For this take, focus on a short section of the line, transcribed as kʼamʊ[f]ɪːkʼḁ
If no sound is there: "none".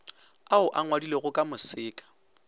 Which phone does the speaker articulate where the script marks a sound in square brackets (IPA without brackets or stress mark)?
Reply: s